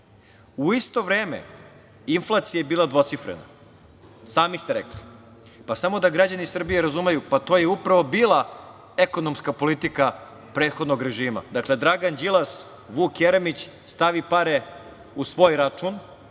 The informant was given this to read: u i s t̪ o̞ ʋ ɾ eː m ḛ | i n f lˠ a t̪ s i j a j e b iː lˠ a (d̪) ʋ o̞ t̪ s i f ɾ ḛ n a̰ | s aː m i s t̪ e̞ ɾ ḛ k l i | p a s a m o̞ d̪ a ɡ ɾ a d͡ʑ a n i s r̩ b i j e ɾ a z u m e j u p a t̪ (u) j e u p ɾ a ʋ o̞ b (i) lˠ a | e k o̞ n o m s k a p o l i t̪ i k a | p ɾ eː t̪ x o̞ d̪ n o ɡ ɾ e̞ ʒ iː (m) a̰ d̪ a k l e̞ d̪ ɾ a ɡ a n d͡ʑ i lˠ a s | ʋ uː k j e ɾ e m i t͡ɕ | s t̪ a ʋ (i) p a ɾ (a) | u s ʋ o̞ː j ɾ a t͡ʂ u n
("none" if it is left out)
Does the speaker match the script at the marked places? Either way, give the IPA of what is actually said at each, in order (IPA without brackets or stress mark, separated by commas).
d̪, o, iː, m, i, e